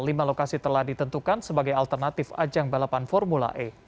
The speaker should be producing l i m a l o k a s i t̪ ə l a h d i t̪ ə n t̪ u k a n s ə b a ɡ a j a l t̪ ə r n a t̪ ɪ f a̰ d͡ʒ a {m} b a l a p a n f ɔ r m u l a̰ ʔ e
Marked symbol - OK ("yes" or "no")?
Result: no